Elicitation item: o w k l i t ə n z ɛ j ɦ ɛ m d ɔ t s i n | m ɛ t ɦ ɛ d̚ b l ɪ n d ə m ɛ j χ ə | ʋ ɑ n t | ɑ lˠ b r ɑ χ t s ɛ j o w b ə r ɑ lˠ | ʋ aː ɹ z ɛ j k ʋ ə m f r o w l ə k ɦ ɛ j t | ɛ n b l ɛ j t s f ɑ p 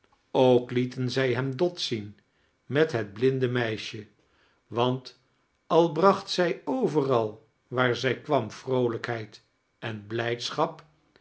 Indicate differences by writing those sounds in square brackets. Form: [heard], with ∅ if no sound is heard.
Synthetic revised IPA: o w k l i t ə n z ɛ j ɦ ɛ m d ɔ t s i n | m ɛ t ɦ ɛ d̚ b l ɪ n d ə m ɛ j [ʃ] ə | ʋ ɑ n t | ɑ lˠ b r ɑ χ t s ɛ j o w [v] ə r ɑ lˠ | ʋ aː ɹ z ɛ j k ʋ [ɑ] m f r o w l ə k ɦ ɛ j t | ɛ n b l ɛ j t s [χ] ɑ p

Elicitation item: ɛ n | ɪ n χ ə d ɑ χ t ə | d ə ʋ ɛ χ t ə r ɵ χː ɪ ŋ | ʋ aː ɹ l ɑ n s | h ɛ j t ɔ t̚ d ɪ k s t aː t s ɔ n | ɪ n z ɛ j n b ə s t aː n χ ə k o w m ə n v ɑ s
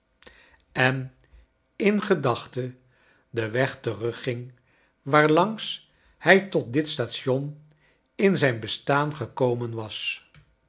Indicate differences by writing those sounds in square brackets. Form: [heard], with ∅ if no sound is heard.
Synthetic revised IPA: ɛ n | ɪ n χ ə d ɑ χ t ə | d ə ʋ ɛ χ t ə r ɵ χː ɪ ŋ | ʋ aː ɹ l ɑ [ŋ] s | h ɛ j t ɔ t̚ d ɪ [t] s t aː t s ɔ n | ɪ n z ɛ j n b ə s t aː n χ ə k o w m ə n [ʋ] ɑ s

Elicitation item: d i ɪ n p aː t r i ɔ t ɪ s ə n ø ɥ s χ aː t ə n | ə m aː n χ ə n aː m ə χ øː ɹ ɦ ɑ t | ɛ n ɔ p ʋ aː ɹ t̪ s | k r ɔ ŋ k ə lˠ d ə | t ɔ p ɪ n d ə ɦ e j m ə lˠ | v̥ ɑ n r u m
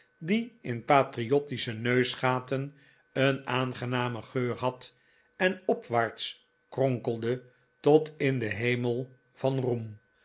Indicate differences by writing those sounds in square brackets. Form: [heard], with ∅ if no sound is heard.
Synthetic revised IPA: d i ɪ n p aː t r i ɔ t [i] s ə n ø ɥ s χ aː t ə n | ə [n] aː n χ ə n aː m ə χ øː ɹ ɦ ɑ t | ɛ n ɔ p ʋ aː ɹ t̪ s | k r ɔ ŋ k ə lˠ d ə | t ɔ [t] ɪ n d ə ɦ e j m ə lˠ | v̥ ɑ n r u m

